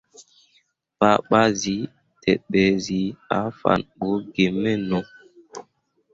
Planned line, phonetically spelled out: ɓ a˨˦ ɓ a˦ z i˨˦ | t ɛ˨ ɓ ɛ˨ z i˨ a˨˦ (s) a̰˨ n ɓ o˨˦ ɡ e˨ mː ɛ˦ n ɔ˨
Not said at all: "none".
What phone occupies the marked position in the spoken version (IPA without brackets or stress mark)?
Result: f